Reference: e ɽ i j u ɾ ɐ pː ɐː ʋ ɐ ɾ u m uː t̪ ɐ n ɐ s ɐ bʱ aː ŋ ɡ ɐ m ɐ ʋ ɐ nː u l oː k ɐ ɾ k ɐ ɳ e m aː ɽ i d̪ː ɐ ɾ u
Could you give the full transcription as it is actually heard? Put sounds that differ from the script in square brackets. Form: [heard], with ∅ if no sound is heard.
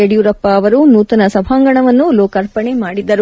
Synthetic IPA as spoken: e ɽ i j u ɾ ɐ pː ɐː ʋ ɐ ɾ u [n] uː t̪ ɐ n ɐ s ɐ bʱ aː ŋ ɡ ɐ [ɳ] ɐ ʋ ɐ nː u l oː k ɐ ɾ [p] ɐ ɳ e m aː ɽ i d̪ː ɐ ɾ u